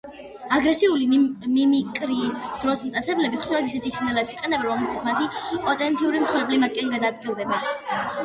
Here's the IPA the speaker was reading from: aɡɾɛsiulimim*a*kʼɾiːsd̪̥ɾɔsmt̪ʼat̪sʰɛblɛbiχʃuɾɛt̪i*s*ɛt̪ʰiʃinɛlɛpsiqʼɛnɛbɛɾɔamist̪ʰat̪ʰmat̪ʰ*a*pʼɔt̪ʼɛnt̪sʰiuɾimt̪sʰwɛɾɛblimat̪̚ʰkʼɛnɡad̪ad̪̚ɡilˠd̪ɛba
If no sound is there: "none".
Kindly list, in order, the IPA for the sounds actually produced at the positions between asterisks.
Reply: i, s, i

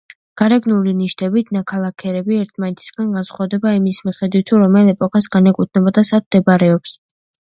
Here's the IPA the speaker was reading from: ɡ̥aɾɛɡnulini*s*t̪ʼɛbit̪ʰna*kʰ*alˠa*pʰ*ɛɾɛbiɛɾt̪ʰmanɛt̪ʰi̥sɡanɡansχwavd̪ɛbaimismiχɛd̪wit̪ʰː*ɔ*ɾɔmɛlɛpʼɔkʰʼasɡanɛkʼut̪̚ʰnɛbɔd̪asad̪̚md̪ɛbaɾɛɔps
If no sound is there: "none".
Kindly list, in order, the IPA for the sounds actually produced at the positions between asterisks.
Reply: ʃ, kʰ, kʰ, u

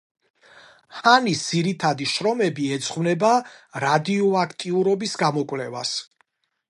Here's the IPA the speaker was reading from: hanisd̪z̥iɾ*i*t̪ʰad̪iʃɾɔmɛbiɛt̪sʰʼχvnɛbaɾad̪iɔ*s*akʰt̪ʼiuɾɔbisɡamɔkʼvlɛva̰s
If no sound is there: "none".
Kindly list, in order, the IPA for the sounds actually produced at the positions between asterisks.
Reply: i, none

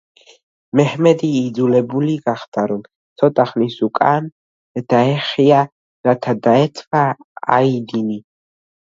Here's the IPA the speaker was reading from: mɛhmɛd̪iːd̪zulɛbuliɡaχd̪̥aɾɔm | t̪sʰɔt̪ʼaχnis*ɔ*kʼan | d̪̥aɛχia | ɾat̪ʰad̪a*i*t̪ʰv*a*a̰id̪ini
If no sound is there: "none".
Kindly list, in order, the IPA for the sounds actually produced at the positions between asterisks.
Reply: u, ɛ, a

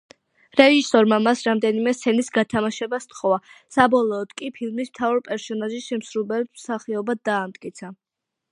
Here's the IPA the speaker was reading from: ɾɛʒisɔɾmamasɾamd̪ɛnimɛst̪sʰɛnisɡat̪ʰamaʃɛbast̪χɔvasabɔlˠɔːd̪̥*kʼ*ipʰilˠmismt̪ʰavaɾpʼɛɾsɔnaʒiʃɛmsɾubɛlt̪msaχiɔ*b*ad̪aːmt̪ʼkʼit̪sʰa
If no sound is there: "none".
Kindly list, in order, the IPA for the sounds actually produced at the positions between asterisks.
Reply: kʼ, b

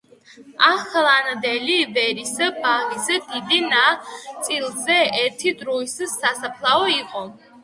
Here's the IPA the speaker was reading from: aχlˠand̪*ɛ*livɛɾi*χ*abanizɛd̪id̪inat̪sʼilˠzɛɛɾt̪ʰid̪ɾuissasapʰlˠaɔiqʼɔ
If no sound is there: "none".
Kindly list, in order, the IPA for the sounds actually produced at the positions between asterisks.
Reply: ɛ, s

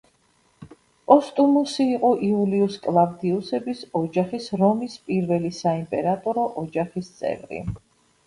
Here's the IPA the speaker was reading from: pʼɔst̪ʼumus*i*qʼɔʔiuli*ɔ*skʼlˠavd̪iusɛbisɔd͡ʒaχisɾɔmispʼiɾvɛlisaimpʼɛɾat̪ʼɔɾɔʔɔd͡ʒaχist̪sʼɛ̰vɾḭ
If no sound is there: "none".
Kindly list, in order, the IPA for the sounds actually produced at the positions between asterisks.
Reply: iː, u

